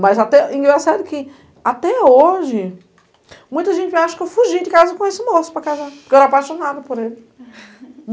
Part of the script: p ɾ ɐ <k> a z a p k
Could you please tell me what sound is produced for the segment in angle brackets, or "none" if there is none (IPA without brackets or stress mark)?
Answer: k